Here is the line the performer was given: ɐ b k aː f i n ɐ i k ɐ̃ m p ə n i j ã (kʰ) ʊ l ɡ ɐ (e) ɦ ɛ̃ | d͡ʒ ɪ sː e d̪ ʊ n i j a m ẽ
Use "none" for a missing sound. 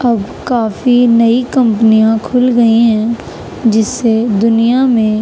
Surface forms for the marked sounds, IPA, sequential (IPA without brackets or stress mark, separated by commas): kʰ, i